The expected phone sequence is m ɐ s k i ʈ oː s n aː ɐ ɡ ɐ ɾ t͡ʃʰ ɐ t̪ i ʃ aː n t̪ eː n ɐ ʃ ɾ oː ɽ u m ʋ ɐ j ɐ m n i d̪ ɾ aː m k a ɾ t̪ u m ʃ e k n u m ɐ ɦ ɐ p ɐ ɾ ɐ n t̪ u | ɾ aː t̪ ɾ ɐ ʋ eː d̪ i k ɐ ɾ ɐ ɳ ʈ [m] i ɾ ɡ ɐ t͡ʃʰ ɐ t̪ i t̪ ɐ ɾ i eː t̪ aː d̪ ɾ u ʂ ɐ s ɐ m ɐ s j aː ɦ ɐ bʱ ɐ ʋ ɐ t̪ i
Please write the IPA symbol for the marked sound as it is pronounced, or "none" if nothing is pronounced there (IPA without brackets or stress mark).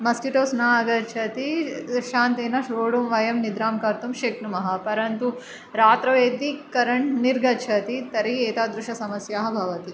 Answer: n